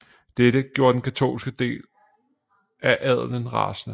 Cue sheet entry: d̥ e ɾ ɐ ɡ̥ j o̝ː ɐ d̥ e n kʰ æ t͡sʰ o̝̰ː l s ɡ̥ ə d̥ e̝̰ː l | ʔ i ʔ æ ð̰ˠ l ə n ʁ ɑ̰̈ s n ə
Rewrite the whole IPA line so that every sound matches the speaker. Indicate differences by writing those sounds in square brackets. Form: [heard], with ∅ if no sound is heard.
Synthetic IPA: d̥ e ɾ [ə] ɡ̥ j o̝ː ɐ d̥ e n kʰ æ t͡sʰ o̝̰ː l s ɡ̥ ə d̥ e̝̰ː l | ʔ [æ] ʔ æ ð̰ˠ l ə n ʁ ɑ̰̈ s n ə